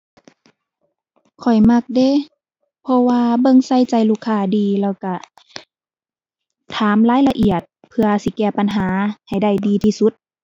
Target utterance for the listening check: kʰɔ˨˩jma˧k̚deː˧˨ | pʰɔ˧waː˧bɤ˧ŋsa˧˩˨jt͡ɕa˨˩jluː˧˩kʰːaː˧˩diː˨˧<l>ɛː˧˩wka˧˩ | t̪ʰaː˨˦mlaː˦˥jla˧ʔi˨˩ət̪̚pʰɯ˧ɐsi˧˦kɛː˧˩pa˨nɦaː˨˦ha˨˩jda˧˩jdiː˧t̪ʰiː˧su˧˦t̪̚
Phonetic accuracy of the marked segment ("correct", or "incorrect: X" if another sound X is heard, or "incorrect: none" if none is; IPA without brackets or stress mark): correct